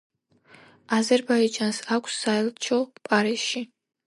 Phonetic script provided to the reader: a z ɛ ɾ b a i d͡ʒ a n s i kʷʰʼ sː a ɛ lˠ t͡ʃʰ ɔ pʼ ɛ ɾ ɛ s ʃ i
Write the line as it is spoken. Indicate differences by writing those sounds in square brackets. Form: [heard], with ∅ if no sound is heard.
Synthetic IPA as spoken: a z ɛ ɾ b a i d͡ʒ a n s [a] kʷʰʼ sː a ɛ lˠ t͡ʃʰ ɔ pʼ [a] ɾ [i] s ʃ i